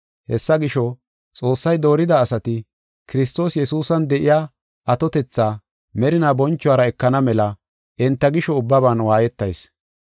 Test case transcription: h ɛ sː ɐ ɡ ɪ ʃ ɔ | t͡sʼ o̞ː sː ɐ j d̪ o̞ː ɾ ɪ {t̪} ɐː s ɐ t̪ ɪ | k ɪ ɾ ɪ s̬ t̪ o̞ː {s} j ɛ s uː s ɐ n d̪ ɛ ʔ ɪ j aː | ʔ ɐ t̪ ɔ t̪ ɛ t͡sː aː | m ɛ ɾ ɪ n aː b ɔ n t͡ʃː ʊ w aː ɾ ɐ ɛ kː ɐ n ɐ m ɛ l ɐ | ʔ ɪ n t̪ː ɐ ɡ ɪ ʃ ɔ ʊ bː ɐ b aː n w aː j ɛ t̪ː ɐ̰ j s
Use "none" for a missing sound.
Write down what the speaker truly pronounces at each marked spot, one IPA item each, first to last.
d̪, s

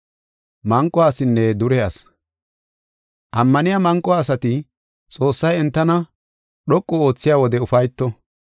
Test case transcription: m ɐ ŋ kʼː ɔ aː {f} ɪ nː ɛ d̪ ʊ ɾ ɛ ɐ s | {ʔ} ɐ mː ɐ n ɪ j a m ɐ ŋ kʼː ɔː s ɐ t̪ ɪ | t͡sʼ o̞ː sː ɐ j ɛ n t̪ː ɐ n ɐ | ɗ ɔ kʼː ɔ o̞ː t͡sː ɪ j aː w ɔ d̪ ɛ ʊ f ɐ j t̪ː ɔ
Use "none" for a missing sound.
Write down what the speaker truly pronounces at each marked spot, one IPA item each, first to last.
s, ʔ

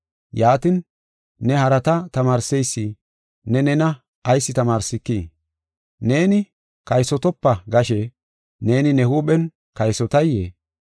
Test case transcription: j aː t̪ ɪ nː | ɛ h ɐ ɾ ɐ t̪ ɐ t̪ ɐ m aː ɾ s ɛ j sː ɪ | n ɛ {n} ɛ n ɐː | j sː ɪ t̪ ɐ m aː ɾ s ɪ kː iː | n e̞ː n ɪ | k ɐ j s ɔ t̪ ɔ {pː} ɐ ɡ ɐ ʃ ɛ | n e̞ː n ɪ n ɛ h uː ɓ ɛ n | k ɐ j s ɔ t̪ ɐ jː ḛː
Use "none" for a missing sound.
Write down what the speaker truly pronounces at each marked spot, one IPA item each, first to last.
n, pː

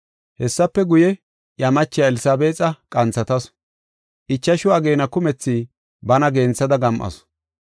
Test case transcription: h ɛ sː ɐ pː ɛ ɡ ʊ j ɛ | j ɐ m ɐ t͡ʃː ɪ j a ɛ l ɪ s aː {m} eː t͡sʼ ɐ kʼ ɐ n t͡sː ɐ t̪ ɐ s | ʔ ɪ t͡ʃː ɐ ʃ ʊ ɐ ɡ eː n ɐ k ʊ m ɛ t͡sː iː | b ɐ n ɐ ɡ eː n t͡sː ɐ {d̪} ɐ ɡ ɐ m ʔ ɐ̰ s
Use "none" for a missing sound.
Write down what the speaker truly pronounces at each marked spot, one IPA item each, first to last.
b, d̪

